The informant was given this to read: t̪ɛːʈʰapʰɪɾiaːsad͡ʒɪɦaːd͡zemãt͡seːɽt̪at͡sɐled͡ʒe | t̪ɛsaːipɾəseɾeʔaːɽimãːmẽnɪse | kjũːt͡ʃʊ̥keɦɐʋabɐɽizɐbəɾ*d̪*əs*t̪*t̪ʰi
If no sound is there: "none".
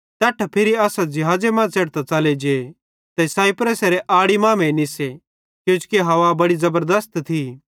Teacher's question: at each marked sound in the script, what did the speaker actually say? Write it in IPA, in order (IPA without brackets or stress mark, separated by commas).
d̪, t̪